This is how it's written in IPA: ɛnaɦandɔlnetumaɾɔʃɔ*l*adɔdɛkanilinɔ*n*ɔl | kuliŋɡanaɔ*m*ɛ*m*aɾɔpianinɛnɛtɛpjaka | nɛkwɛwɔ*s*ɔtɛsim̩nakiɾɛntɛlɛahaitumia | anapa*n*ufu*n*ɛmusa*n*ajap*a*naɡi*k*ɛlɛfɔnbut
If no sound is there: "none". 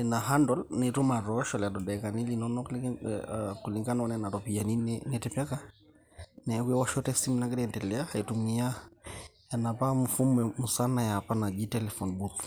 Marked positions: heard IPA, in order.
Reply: l, n, n, n, ʃ, m, m, n, a, t

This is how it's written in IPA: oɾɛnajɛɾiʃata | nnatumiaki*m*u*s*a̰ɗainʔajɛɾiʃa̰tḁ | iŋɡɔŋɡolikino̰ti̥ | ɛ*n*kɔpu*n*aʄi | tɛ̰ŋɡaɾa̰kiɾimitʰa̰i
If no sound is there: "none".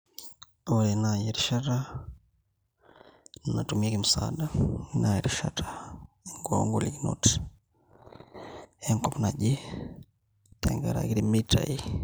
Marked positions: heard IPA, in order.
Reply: m, s, ŋ, n

